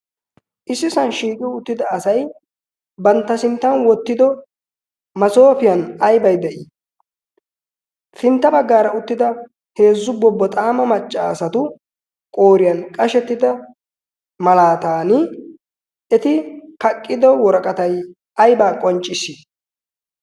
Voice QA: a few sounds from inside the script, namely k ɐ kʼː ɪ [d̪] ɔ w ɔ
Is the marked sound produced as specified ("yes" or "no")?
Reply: yes